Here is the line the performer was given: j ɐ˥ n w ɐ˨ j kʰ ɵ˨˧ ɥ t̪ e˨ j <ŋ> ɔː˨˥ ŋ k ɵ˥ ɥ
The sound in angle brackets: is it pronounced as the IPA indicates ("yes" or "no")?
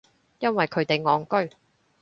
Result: yes